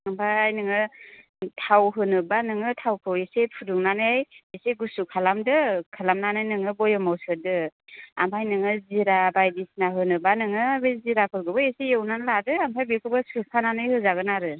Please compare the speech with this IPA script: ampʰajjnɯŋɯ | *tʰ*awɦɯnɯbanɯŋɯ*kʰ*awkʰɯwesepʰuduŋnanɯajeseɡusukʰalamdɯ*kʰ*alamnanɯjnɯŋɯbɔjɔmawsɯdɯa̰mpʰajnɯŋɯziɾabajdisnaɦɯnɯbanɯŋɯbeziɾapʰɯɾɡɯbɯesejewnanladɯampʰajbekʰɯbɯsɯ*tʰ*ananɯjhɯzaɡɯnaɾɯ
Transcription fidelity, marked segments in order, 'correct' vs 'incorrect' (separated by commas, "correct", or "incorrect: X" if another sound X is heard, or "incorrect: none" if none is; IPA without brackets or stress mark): correct, incorrect: tʰ, correct, incorrect: pʰ